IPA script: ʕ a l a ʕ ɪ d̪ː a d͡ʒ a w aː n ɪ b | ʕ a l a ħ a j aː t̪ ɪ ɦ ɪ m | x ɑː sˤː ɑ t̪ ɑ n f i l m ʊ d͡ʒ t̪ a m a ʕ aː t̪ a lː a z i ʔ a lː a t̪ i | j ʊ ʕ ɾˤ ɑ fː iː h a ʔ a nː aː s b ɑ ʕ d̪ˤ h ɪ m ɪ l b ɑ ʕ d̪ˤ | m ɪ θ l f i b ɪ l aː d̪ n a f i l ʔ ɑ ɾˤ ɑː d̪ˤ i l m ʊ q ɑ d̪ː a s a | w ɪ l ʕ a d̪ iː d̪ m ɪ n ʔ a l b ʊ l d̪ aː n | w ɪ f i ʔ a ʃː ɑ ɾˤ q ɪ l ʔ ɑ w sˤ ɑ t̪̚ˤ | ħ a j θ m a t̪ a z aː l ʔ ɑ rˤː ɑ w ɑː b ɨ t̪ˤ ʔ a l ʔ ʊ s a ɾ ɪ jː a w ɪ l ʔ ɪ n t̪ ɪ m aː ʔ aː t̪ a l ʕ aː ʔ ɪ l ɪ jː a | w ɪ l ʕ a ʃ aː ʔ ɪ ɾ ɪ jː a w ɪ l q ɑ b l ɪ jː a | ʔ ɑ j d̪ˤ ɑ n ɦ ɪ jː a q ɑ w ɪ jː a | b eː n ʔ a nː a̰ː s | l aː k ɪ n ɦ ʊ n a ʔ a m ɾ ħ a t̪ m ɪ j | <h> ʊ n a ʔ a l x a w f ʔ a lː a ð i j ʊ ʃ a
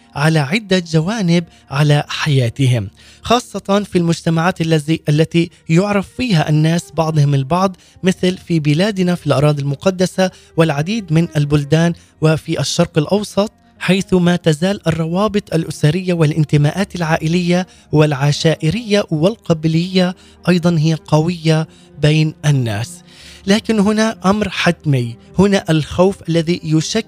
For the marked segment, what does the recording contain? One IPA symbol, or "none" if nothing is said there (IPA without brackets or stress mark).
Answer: h